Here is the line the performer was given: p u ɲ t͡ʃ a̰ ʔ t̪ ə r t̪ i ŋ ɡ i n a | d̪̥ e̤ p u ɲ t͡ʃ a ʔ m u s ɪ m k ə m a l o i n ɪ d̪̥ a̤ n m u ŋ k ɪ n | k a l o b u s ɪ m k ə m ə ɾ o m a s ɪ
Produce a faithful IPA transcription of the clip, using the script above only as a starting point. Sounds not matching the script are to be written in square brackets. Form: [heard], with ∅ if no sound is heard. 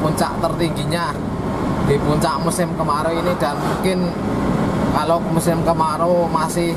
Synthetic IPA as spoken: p u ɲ t͡ʃ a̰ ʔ t̪ ə r t̪ i ŋ ɡ i [ɲ] a | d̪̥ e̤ p u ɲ t͡ʃ a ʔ m u s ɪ m k ə m a [ɾ] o i n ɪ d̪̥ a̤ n m u ŋ k ɪ n | k a l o [m] u s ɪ m k ə m [a] ɾ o m a s ɪ